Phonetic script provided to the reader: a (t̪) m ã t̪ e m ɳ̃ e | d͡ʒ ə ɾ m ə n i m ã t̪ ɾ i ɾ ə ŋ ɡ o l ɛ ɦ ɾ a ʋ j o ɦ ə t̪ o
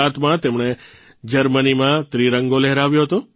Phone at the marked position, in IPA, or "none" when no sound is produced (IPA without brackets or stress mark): t̪